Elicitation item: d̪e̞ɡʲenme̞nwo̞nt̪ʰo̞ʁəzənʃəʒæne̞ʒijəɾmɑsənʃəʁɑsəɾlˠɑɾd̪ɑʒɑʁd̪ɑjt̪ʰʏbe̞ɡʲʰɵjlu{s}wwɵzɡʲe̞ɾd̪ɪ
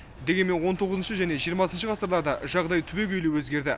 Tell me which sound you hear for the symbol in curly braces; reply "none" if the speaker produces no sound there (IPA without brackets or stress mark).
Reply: none